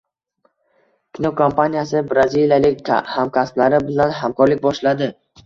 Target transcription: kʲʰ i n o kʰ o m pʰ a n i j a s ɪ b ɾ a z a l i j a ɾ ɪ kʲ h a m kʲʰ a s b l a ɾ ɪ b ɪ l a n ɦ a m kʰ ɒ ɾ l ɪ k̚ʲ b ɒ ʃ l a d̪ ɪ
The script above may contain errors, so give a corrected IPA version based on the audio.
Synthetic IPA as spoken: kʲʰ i n o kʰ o m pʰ a n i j a s ɪ b ɾ a z i l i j a l ɪ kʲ h a m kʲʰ a s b l a ɾ ɪ b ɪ l a n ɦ a m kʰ ɒ ɾ l ɪ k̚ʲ b ɒ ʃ l a d̪ ɪ